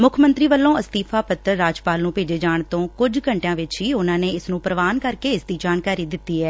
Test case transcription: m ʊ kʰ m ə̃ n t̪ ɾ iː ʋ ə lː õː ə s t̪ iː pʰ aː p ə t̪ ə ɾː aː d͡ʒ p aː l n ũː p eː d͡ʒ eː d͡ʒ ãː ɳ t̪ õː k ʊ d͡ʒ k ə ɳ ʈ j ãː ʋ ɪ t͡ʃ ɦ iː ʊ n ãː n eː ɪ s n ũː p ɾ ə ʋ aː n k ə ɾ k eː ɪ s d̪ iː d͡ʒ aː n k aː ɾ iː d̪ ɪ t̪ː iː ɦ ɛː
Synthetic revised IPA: m ʊ kʰ m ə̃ n t̪ ɾ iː ʋ ə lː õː ə s t̪ iː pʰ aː p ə t̪ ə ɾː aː d͡ʒ p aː l n ũː p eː d͡ʒ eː d͡ʒ aː ɳ t̪ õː k ʊ d͡ʒ k ə ɳ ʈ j ãː ʋ ɪ t͡ʃ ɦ iː ʊ n ãː n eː ɪ s n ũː p ɾ ə ʋ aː n k ə ɾ k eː ɪ s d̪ iː d͡ʒ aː n k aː ɾ iː d̪ ɪ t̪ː iː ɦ ɛː